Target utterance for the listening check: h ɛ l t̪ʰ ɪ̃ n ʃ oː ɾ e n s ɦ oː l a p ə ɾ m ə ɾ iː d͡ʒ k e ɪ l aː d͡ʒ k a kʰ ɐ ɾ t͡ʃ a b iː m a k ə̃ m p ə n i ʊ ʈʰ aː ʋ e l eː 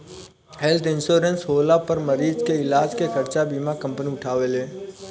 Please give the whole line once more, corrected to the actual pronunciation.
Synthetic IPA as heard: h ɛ l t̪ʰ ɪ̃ n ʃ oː ɾ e n s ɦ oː l a p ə ɾ m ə ɾ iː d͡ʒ k e ɪ l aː d͡ʒ k e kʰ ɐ ɾ t͡ʃ a b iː m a k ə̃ m p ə n i ʊ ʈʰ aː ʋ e l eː